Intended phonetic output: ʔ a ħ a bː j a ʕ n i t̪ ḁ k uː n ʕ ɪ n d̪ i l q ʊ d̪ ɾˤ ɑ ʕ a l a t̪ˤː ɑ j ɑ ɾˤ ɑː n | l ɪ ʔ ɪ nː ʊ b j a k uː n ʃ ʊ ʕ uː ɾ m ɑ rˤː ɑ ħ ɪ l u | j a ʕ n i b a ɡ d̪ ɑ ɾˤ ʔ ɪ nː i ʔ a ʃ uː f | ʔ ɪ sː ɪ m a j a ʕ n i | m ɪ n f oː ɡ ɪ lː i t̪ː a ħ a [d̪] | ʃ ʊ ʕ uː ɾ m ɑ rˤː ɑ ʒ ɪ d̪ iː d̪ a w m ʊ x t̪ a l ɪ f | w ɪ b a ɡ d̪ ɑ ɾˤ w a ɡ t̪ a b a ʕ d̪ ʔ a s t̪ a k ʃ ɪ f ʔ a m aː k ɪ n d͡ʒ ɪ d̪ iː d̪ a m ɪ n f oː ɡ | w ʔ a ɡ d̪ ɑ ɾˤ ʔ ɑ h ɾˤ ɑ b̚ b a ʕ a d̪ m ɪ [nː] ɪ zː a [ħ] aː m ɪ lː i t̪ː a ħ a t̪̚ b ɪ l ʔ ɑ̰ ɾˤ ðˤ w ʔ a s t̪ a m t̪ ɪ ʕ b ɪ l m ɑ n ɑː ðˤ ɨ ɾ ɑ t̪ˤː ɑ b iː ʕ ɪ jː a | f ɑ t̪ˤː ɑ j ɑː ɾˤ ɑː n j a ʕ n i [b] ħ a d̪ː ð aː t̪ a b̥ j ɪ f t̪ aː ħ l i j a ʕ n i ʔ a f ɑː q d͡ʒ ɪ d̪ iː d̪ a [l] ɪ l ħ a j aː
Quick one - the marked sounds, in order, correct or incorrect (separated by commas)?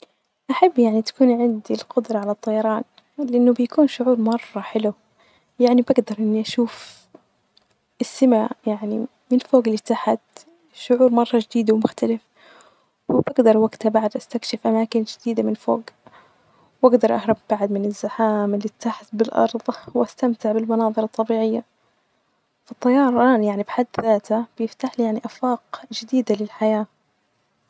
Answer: incorrect, incorrect, correct, correct, correct